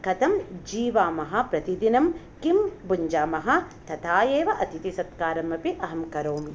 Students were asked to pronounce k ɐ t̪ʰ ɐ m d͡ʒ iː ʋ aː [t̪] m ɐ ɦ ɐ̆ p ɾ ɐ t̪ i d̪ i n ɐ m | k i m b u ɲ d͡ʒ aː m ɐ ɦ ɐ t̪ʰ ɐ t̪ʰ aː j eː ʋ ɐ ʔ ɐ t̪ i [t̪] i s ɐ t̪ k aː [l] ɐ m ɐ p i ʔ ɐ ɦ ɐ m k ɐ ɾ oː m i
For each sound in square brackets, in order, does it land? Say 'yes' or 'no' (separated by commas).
no, yes, no